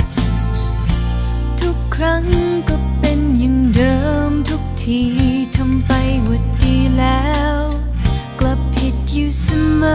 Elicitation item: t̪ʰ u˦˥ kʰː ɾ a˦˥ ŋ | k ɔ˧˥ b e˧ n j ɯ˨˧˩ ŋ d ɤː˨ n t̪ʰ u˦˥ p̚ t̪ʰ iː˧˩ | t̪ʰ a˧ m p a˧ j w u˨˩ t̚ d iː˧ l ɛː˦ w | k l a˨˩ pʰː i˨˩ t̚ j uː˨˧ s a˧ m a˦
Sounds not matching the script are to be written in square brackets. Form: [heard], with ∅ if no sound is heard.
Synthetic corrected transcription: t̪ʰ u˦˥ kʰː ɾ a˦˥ ŋ | k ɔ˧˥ [p] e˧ n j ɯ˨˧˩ ŋ d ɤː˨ [m] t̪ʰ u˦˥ [k̚] t̪ʰ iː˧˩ | t̪ʰ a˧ m p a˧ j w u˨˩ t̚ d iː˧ l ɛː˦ w | k l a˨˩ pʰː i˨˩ t̚ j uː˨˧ s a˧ m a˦